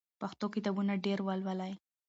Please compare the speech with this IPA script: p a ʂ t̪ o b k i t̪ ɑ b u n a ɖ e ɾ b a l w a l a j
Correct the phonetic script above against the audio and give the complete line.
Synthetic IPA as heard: p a x t̪ o k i t̪ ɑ b u n a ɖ e ɾ w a l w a l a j